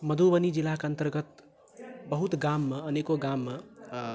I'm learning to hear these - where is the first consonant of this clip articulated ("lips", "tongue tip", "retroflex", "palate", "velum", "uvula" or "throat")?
lips